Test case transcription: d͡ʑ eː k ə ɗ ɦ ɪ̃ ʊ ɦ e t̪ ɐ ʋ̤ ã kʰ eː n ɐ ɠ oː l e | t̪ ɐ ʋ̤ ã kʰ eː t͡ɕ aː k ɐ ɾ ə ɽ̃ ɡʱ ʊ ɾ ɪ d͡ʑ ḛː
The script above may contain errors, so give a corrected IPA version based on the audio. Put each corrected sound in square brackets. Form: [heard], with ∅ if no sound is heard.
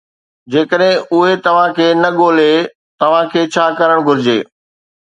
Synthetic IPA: d͡ʑ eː k ə ɗ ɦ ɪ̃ ʊ ɦ e t̪ ɐ ʋ̤ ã kʰ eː n ɐ ɠ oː l e | t̪ ɐ ʋ̤ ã kʰ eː [t͡ɕʰ] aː k ɐ ɾ ə ɽ̃ ɡʱ ʊ ɾ ɪ d͡ʑ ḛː